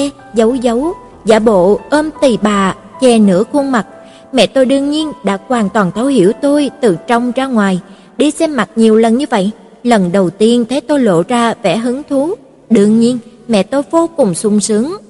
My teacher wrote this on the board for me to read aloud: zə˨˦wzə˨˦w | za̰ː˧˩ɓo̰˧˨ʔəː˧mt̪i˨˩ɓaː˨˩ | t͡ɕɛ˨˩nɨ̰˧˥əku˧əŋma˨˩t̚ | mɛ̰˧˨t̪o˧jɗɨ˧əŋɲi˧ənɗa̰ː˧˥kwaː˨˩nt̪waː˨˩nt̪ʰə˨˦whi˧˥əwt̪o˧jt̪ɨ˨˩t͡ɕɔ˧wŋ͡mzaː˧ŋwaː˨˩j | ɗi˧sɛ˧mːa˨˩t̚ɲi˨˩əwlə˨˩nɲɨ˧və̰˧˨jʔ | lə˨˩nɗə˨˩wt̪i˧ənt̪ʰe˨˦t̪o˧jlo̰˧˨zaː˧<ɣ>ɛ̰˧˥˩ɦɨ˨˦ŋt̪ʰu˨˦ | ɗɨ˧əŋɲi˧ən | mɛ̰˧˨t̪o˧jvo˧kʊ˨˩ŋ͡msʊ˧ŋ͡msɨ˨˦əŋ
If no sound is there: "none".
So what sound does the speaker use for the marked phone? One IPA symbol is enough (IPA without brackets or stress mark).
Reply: v